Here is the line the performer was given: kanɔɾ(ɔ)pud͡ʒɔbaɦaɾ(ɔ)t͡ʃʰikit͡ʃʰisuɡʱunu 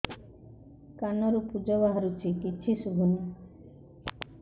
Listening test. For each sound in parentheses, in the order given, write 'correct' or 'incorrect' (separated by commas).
incorrect, incorrect